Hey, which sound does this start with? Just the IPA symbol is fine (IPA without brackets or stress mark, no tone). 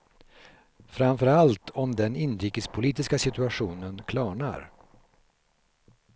f